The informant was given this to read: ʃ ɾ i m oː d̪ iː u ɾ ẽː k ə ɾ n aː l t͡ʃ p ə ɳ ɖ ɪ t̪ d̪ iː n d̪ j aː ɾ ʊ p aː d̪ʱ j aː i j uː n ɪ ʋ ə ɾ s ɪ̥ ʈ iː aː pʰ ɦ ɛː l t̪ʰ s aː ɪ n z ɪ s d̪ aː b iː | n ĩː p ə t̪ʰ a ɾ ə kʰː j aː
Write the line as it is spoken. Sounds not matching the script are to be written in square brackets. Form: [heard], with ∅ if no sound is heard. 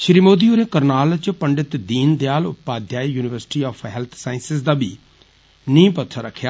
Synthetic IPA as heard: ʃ ɾ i m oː d̪ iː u ɾ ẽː k ə ɾ n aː l t͡ʃ p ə ɳ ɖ ɪ t̪ d̪ iː n d̪ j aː [l] ʊ p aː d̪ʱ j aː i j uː n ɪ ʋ ə ɾ s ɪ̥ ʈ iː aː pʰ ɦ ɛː l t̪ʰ s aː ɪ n [s] ɪ s d̪ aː b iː | n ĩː p ə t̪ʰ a ɾ ə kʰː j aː